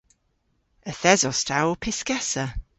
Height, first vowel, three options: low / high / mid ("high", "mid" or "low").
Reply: mid